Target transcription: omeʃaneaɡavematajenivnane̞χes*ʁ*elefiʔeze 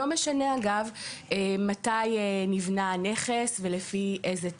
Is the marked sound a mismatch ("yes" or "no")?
yes